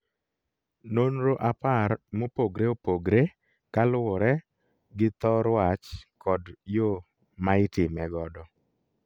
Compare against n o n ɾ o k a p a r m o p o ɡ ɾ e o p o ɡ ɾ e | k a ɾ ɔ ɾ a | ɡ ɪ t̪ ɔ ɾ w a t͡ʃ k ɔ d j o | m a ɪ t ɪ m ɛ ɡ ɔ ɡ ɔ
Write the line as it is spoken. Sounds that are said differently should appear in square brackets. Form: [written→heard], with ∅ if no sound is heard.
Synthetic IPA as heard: n o n ɾ o [k→ʔ] a p a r m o p o ɡ ɾ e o p o ɡ ɾ e | k a [ɾ→l] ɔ ɾ [a→ɛ] | ɡ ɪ t̪ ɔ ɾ w a t͡ʃ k ɔ d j o | m a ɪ t ɪ m ɛ ɡ ɔ [ɡ→d] ɔ

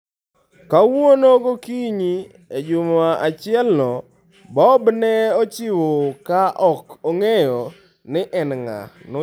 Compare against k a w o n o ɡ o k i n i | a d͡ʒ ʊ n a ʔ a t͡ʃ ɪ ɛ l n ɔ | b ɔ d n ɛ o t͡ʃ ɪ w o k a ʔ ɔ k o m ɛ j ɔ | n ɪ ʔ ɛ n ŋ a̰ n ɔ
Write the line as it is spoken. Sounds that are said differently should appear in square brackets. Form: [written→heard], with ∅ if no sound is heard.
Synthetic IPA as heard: k a w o n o ɡ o k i [n→ɲ] i | [a→e] d͡ʒ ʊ [n→m] a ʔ a t͡ʃ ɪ ɛ l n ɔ | b ɔ [d→b] n ɛ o t͡ʃ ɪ w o k a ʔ ɔ k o [m→ŋ] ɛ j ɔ | n ɪ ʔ ɛ n ŋ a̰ n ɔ

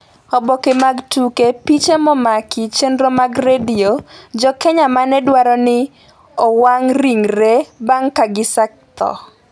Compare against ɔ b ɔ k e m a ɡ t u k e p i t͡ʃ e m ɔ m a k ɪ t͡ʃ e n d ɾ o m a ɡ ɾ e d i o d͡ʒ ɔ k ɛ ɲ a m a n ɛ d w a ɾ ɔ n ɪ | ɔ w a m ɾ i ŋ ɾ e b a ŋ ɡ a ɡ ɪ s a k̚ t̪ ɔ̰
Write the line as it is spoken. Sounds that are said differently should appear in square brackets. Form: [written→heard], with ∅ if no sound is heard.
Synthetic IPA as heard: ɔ b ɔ k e m a ɡ t u k e p i t͡ʃ e m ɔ m a k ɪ t͡ʃ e n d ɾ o m a ɡ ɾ e d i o d͡ʒ ɔ k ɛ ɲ a m a n ɛ d w a ɾ ɔ n ɪ | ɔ w a [m→ŋ] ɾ i ŋ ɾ e b a ŋ [ɡ→k] a ɡ ɪ s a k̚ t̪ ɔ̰

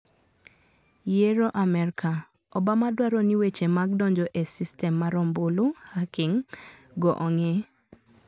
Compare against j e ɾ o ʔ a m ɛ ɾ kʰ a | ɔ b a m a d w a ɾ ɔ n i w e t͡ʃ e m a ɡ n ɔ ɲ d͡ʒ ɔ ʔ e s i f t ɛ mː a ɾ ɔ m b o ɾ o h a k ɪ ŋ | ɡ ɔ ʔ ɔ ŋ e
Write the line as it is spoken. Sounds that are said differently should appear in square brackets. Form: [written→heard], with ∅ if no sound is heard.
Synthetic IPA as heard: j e ɾ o ʔ a m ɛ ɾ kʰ a | ɔ b a m a d w a ɾ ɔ n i w e t͡ʃ e m a ɡ [n→d] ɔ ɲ d͡ʒ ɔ ʔ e s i [f→s] t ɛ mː a ɾ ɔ m b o [ɾ→l] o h a k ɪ ŋ | ɡ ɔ ʔ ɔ ŋ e

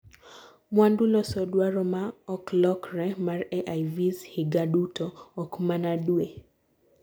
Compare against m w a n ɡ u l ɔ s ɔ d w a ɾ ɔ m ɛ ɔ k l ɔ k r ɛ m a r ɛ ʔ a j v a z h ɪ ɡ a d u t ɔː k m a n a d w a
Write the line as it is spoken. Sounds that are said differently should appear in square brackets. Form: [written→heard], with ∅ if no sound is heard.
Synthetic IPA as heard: m w a n [ɡ→d] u l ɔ s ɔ d w a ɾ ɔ m [ɛ→a] ɔ k l ɔ k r ɛ m a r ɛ ʔ a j v [a→i] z h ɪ ɡ a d u t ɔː k m a n a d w [a→e]

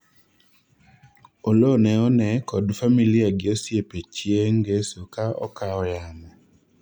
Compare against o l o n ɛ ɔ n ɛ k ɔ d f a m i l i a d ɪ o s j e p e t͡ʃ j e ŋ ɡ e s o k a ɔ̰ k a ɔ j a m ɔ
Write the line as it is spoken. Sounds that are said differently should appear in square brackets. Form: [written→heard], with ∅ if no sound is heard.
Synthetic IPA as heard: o l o n ɛ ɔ n ɛ k ɔ d f a m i l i a [d→ɡ] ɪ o s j e p e t͡ʃ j e ŋ ɡ e s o k a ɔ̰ k a ɔ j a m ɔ

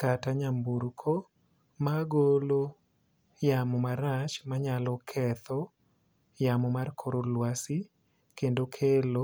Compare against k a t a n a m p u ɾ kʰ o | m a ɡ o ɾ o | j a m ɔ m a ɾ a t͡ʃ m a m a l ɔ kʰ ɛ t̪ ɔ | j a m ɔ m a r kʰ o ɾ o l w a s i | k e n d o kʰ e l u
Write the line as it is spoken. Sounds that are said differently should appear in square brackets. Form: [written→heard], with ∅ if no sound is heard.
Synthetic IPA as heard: k a t a [n→ɲ] a m [p→b] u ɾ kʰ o | m a ɡ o [ɾ→l] o | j a m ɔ m a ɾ a t͡ʃ m a [m→ɲ] a l ɔ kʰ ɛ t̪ ɔ | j a m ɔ m a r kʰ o ɾ o l w a s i | k e n d o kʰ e l [u→o]

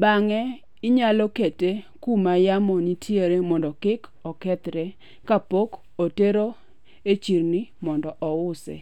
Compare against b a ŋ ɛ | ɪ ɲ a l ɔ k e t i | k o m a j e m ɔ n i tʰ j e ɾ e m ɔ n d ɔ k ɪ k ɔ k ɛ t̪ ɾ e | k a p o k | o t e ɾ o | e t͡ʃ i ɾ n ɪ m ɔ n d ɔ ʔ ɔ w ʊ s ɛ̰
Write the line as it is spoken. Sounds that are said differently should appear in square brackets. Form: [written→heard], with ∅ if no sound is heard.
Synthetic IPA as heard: b a ŋ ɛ | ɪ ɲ a l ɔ k e t [i→e] | k [o→u] m a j [e→a] m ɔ n i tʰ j e ɾ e m ɔ n d ɔ k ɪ k ɔ k ɛ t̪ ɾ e | k a p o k | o t e ɾ o | e t͡ʃ i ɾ n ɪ m ɔ n d ɔ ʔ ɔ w ʊ s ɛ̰

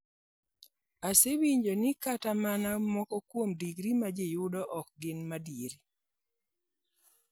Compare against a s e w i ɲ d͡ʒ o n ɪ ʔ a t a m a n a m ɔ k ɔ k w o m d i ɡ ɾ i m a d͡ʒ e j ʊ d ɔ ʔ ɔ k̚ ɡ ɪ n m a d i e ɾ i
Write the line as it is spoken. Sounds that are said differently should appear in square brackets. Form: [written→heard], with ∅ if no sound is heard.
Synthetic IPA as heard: a s e w i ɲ d͡ʒ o n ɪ [ʔ→k] a t a m a n a m ɔ k ɔ k w o m d i ɡ ɾ i m a d͡ʒ e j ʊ d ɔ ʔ ɔ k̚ ɡ ɪ n m a d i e ɾ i

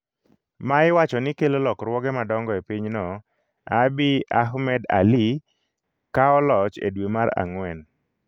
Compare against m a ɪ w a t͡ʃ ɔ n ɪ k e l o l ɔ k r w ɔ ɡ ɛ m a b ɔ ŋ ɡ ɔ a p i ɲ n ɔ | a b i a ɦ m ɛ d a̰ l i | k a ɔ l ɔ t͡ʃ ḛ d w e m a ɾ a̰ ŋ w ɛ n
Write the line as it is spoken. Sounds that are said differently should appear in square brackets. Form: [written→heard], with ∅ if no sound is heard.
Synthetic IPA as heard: m a ɪ w a t͡ʃ ɔ n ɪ k e l o l ɔ k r w ɔ ɡ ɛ m a [b→d] ɔ ŋ ɡ ɔ [a→e] p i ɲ n ɔ | a b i a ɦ m ɛ d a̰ l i | k a ɔ l ɔ t͡ʃ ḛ d w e m a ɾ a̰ ŋ w ɛ n

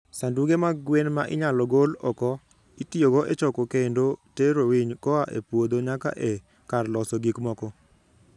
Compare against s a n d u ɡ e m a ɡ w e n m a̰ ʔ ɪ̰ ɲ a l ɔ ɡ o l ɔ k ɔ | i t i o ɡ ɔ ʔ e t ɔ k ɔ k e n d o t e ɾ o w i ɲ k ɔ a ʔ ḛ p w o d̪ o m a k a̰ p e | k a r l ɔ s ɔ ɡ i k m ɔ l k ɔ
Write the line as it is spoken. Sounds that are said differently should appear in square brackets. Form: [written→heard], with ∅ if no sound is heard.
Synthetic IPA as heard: s a n d u ɡ e m a ɡ w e n m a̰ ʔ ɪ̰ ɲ a l ɔ ɡ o l ɔ k ɔ | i t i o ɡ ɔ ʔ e [t→t͡ʃ] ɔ k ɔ k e n d o t e ɾ o w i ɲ k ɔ a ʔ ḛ p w o d̪ o [m→ɲ] a k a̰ [p→ʔ] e | k a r l ɔ s ɔ ɡ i k m ɔ [l→∅] k ɔ

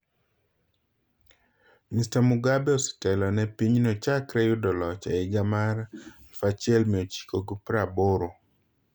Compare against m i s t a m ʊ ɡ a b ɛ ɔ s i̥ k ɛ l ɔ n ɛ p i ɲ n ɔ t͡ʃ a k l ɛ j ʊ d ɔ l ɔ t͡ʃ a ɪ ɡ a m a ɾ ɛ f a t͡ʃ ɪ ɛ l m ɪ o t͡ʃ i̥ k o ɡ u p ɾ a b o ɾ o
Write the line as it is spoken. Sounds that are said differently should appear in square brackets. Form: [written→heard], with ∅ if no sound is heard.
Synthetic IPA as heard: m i s t a m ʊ ɡ a b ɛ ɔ s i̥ [k→t] ɛ l ɔ n ɛ p i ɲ n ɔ t͡ʃ a k [l→ɾ] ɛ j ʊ d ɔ l ɔ t͡ʃ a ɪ ɡ a m a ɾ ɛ f a t͡ʃ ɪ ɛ l m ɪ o t͡ʃ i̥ k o ɡ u p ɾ a b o ɾ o

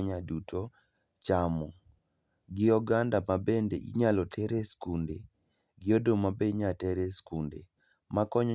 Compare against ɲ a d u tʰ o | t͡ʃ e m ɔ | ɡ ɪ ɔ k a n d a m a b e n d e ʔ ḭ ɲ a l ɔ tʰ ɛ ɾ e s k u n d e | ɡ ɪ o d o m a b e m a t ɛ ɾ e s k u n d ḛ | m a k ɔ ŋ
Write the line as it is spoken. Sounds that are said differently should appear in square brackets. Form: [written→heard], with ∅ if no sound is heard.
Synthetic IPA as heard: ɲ a d u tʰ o | t͡ʃ [e→a] m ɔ | ɡ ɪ ɔ [k→ɡ] a n d a m a b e n d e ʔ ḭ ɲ a l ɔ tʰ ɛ ɾ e s k u n d e | ɡ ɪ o d o m a b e [m→ɲ] a t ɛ ɾ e s k u n d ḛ | m a k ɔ [ŋ→ɲ]

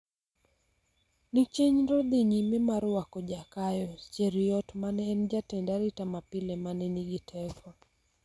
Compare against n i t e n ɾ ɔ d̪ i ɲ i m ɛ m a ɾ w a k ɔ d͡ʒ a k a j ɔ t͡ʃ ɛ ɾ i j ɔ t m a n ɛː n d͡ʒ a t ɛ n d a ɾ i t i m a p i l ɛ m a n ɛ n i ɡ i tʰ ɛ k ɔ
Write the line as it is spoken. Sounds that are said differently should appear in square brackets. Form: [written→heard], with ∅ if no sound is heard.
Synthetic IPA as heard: n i [t→t͡ʃ] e [n→ɲ] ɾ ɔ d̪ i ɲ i m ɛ m a ɾ w a k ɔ d͡ʒ a k a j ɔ t͡ʃ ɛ ɾ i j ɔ t m a n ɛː n d͡ʒ a t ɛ n d a ɾ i t [i→a] m a p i l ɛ m a n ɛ n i ɡ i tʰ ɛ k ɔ

